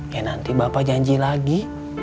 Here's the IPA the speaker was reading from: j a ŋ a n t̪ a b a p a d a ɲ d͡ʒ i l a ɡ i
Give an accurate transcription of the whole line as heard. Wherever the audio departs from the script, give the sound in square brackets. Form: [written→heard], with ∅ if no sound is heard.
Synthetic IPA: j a [ŋ→n] a n t̪ [a→i] b a p a [d→d͡ʒ] a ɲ d͡ʒ i l a ɡ i